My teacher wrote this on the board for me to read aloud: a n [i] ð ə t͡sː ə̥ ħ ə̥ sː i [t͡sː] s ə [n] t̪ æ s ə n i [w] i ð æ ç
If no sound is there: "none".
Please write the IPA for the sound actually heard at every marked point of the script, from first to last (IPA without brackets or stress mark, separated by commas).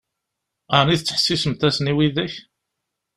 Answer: i, none, m, w